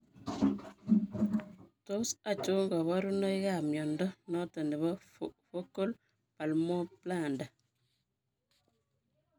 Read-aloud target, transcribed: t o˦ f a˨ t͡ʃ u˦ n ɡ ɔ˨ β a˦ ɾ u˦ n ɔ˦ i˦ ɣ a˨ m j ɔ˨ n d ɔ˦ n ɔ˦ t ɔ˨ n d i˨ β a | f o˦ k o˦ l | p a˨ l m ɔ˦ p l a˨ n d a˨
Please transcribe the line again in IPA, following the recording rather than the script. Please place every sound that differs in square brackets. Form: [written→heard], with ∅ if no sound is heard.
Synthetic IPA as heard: t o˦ [f→s] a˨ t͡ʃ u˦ [n→ŋ] ɡ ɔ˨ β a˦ ɾ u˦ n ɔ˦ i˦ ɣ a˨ m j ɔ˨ n d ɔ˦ n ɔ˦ t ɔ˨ n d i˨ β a | f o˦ k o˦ l | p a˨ l m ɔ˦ p l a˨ n d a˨